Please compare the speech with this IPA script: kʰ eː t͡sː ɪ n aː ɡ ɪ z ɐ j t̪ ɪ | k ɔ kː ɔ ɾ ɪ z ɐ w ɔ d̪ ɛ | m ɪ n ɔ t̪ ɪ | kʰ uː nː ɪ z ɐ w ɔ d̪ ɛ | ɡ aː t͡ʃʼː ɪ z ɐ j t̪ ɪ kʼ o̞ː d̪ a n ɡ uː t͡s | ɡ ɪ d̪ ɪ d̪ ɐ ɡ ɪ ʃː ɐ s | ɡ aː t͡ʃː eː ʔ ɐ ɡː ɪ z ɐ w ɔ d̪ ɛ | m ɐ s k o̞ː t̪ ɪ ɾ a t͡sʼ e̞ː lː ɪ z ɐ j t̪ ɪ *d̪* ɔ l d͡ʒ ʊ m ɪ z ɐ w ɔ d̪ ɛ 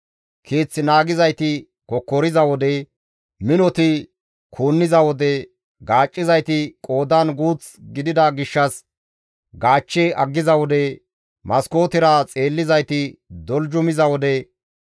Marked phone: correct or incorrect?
correct